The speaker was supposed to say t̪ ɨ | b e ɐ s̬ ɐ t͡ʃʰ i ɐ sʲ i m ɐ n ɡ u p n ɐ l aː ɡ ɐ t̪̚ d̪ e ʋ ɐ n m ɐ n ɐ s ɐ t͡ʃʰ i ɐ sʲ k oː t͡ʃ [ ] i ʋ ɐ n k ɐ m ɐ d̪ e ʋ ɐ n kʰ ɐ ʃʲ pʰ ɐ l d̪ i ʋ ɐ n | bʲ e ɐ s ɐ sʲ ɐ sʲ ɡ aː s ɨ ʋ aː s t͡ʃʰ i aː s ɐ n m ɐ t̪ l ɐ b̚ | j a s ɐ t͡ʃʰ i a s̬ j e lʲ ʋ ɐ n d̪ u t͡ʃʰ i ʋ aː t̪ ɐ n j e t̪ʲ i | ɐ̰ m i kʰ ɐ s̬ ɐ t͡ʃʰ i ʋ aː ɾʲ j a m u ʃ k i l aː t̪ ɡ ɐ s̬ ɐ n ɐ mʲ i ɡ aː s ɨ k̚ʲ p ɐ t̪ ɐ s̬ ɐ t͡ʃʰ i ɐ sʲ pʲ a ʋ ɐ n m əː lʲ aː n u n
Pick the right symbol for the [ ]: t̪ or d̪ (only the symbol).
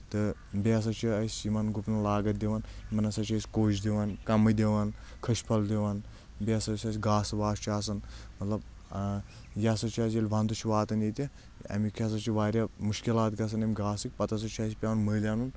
d̪